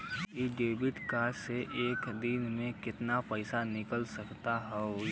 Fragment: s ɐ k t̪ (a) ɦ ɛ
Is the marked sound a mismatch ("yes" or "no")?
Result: no